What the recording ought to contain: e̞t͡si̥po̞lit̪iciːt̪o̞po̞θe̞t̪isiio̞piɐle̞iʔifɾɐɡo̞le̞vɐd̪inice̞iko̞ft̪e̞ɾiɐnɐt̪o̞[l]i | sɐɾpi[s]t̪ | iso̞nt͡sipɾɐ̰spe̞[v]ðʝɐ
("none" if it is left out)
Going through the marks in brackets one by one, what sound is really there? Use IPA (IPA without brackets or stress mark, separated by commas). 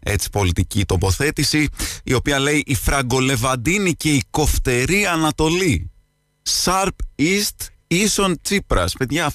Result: l, s, none